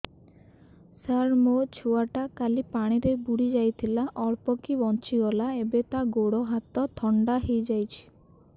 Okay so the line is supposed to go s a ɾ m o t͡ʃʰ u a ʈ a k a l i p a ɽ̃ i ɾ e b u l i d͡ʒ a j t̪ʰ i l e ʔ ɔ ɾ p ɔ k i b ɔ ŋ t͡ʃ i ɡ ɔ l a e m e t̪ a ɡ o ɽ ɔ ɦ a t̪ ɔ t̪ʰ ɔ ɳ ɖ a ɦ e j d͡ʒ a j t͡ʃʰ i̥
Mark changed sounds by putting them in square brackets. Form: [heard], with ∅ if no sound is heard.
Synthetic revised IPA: s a ɾ m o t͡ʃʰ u a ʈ a k a l i p a ɽ̃ i ɾ e b u [ɽ] i d͡ʒ a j t̪ʰ i l [a] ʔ ɔ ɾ p ɔ k i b ɔ [n] t͡ʃ i ɡ ɔ l a e [b] e t̪ a ɡ o ɽ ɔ ɦ a t̪ ɔ t̪ʰ ɔ ɳ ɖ a ɦ e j d͡ʒ a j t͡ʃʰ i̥